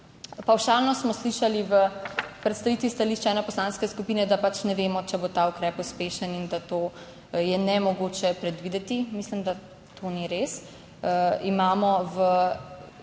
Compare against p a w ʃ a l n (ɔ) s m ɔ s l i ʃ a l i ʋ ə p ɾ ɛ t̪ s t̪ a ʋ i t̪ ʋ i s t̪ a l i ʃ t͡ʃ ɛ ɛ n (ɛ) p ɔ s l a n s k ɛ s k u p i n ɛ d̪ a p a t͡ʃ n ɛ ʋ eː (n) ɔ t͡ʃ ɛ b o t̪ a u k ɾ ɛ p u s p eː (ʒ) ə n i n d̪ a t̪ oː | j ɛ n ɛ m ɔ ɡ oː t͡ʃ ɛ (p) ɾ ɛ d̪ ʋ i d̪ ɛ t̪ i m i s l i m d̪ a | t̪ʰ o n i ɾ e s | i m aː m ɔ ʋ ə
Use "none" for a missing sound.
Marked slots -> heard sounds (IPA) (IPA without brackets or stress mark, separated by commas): ɔ, ɛ, m, ʃ, p